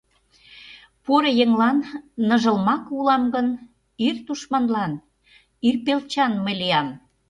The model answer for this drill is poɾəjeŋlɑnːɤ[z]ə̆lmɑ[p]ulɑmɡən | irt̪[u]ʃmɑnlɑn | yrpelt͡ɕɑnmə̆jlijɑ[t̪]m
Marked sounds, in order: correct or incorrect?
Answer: incorrect: ʒ, incorrect: k, correct, incorrect: none

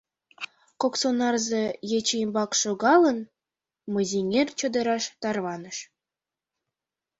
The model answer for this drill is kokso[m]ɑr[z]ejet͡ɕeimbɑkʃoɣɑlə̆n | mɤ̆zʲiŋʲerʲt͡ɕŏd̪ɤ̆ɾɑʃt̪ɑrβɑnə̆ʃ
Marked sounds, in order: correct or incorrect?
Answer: incorrect: n, correct

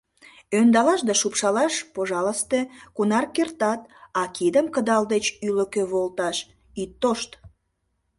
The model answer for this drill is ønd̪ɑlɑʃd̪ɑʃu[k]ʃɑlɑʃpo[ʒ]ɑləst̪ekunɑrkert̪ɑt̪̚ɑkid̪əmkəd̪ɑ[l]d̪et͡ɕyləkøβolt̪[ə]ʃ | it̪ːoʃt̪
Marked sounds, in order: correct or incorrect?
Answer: incorrect: p, correct, correct, incorrect: ɑ

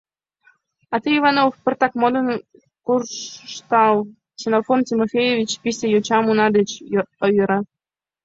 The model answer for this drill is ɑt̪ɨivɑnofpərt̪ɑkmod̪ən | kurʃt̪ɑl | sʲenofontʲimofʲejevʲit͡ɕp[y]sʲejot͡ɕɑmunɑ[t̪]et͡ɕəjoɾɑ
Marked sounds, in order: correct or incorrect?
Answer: incorrect: i, incorrect: d̪

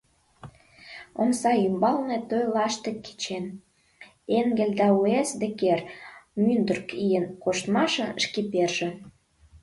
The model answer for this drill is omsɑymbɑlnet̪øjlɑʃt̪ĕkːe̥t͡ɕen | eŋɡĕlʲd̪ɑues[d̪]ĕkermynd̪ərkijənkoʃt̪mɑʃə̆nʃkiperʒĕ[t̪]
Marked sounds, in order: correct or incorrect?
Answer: correct, incorrect: none

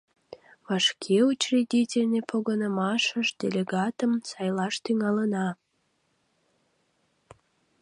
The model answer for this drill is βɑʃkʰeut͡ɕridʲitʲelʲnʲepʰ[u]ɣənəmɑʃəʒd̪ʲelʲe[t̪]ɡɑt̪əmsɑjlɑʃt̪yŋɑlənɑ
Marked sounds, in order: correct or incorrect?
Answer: incorrect: o, incorrect: none

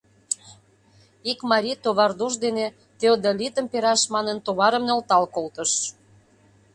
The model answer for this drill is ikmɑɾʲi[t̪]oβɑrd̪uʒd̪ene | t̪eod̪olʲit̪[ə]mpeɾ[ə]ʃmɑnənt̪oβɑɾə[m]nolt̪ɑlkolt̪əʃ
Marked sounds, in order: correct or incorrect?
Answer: correct, correct, incorrect: ɑ, correct

